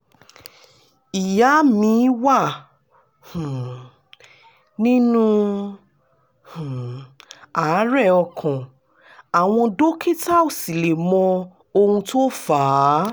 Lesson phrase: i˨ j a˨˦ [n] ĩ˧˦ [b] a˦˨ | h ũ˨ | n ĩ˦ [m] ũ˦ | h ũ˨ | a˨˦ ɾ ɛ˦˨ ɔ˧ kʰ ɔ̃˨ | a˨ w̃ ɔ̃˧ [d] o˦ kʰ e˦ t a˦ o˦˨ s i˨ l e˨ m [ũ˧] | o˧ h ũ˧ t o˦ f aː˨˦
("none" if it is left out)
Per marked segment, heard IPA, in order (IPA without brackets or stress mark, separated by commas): m, w, n, d, ɔ̃˧